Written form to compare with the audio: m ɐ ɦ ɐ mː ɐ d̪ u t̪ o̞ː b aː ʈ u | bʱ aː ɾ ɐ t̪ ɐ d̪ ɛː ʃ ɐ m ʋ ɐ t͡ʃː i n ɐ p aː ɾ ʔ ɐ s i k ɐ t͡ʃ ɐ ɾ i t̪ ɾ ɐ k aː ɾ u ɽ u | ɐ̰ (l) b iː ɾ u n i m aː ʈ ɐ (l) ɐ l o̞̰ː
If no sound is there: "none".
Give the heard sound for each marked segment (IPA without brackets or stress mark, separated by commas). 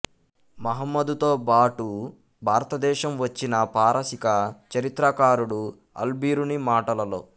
l, l